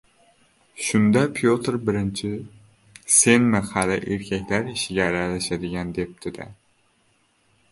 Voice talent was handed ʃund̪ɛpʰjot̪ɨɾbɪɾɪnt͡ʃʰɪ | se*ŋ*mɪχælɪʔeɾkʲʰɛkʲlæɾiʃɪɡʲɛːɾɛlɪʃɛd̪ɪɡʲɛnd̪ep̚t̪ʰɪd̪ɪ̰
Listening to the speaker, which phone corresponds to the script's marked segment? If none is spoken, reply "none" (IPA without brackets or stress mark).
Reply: n